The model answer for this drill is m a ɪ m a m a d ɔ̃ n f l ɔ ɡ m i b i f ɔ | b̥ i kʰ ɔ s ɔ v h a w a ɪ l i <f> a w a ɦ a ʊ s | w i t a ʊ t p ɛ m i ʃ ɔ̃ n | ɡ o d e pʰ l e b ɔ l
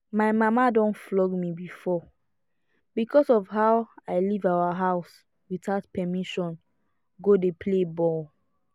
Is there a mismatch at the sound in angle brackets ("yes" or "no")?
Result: yes